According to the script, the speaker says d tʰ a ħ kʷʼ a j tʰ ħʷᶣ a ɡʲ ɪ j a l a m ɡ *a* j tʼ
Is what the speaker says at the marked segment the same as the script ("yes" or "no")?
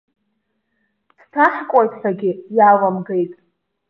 no